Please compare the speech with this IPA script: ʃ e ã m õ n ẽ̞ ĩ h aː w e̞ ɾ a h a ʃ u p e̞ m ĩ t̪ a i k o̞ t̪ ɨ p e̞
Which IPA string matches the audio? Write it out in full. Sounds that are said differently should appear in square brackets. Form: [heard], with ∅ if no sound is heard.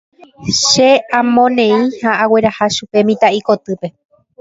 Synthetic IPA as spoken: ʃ e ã m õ n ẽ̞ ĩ h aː w e̞ ɾ a h a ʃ u p e̞ m ĩ t̪ a i k o̞ t̪ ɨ p e̞